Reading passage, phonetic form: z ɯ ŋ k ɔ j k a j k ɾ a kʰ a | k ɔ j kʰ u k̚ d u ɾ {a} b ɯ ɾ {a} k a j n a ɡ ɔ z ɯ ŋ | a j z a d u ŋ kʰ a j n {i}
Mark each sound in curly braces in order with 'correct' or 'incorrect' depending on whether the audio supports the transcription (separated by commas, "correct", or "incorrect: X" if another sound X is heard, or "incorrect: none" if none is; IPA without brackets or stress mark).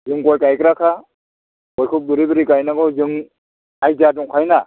incorrect: i, incorrect: i, incorrect: a